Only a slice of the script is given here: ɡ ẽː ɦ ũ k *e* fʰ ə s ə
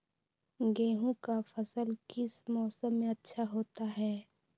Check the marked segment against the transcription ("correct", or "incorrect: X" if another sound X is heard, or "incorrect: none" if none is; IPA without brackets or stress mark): incorrect: a